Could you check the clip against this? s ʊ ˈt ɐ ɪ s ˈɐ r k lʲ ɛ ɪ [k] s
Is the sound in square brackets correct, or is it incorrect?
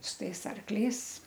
incorrect